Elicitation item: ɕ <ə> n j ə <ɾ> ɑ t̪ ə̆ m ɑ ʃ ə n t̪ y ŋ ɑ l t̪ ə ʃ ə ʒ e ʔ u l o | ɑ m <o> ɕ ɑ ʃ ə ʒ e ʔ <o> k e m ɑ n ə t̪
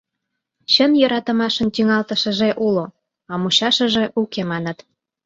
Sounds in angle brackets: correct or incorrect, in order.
correct, correct, incorrect, incorrect

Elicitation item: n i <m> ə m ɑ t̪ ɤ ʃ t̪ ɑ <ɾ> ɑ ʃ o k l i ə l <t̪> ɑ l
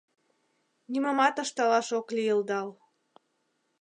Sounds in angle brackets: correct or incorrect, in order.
correct, incorrect, incorrect

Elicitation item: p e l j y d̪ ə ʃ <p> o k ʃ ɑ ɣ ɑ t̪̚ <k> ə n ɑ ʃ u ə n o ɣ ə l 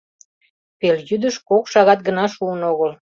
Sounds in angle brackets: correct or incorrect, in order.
incorrect, incorrect

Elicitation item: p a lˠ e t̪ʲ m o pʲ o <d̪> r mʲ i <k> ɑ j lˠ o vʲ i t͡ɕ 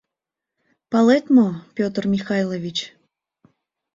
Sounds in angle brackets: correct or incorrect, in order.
incorrect, incorrect

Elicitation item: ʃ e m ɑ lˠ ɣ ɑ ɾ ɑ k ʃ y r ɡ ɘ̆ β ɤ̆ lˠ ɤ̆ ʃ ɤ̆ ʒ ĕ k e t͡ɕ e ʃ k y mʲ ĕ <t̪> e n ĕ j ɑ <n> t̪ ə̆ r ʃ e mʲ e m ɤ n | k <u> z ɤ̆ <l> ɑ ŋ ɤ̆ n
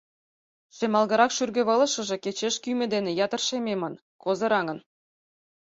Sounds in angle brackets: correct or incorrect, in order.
incorrect, incorrect, incorrect, incorrect

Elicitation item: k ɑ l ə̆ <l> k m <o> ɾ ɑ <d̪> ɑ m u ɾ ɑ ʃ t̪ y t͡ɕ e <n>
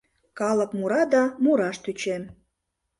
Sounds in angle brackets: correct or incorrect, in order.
incorrect, incorrect, correct, incorrect

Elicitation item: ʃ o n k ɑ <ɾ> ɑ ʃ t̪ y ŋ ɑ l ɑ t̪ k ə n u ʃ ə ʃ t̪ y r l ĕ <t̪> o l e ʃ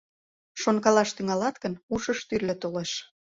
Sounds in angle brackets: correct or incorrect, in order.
incorrect, correct

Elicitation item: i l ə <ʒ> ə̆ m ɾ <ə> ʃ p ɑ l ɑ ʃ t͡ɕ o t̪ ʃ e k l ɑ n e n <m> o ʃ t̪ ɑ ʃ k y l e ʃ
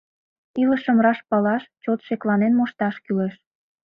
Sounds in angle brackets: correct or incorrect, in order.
incorrect, incorrect, correct

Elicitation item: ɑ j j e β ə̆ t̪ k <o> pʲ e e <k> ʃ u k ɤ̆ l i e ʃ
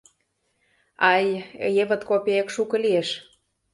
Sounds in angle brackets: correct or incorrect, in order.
correct, correct

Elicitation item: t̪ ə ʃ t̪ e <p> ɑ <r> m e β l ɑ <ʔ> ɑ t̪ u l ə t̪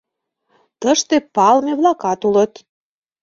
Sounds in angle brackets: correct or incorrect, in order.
correct, incorrect, incorrect

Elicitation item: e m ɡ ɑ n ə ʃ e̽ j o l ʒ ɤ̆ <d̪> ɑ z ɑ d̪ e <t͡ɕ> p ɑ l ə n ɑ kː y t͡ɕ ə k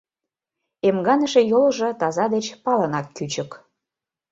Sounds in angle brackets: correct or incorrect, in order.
incorrect, correct

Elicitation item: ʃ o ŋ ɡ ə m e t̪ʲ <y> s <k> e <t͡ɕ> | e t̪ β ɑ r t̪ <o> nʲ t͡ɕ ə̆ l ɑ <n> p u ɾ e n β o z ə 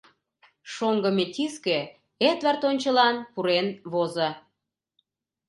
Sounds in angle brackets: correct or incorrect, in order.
incorrect, correct, incorrect, correct, correct

